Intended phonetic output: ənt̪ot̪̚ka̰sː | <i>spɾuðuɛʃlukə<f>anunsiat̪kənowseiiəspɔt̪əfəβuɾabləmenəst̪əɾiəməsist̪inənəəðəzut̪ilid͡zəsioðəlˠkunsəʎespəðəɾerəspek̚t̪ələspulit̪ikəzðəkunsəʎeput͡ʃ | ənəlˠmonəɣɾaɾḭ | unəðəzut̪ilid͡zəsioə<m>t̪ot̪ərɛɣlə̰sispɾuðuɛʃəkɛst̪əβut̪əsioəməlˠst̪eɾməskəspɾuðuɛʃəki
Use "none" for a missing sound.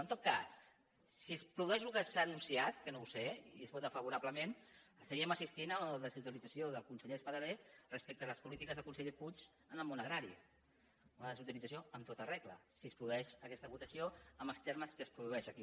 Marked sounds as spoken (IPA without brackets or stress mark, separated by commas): i, s, m